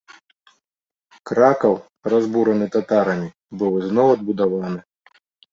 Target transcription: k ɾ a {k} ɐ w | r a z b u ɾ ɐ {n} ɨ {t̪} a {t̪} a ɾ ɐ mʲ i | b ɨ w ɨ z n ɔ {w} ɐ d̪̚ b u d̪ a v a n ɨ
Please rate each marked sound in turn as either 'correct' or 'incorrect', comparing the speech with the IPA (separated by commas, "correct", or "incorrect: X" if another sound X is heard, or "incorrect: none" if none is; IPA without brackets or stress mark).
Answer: correct, correct, correct, correct, correct